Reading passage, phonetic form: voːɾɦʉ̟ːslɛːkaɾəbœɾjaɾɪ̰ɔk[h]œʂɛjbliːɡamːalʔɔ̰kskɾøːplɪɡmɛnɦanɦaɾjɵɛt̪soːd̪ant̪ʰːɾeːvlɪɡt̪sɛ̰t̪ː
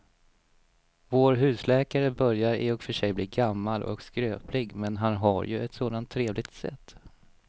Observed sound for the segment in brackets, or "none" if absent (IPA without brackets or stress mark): f